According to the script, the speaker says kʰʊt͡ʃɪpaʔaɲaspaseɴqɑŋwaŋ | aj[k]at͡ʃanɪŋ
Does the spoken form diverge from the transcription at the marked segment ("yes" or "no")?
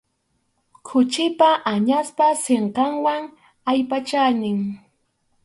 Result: yes